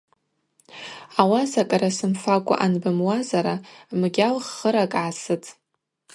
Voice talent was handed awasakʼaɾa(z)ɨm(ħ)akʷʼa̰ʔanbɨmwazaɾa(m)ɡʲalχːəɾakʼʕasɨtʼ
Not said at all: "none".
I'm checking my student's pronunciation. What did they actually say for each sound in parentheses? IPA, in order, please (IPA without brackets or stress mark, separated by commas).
s, f, m